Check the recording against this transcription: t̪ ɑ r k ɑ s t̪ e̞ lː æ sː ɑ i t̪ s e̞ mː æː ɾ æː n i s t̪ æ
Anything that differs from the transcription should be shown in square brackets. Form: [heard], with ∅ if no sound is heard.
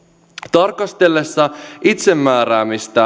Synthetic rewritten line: t̪ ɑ r k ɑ s t̪ e̞ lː [e] sː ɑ i t̪ s e̞ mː æː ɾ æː [m] i s t̪ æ